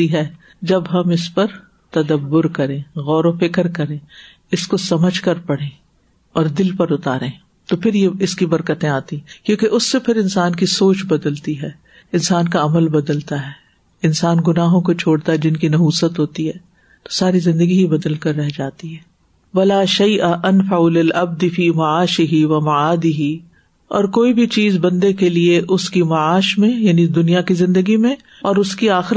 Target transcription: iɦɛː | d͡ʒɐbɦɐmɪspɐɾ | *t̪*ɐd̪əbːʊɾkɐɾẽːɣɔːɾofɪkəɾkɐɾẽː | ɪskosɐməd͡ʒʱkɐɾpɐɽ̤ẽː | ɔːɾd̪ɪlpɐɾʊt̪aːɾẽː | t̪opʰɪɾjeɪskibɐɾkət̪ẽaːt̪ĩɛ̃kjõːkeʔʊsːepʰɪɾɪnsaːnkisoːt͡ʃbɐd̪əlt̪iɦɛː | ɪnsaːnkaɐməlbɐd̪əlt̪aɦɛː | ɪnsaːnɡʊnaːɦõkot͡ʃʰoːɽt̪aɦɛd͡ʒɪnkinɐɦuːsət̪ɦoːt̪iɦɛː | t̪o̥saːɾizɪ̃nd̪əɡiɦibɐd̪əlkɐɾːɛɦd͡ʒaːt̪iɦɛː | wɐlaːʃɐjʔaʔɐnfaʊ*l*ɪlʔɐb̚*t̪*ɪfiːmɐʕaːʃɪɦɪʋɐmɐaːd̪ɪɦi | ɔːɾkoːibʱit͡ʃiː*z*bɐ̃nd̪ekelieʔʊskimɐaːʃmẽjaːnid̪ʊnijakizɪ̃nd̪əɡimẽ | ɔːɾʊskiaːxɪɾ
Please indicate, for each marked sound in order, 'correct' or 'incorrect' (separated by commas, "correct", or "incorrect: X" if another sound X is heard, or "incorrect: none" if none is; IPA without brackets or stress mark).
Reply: correct, correct, incorrect: d̪, correct